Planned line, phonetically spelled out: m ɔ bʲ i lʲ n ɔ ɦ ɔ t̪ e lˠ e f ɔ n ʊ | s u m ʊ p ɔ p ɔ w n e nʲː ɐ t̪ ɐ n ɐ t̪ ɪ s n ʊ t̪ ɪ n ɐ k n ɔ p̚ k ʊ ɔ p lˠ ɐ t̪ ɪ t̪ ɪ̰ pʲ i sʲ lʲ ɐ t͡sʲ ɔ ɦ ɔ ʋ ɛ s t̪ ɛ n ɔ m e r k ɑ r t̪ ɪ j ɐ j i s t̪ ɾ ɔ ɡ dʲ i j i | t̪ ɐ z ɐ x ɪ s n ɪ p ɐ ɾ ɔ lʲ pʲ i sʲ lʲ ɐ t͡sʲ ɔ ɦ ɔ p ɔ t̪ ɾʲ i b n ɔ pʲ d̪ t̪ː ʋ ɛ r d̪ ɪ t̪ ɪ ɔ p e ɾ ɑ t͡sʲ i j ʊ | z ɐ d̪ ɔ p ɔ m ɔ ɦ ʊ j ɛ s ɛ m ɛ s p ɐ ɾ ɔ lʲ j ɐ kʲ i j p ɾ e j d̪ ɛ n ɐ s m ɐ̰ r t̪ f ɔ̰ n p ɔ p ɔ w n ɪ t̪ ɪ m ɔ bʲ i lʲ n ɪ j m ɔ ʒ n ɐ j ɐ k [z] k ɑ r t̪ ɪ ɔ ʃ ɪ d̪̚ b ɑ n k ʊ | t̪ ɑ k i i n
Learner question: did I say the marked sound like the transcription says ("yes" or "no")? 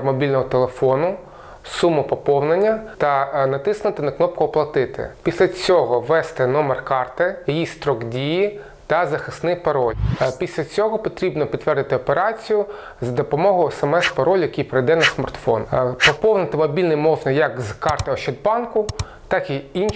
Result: yes